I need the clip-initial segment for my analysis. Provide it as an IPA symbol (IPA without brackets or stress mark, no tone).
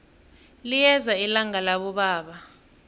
l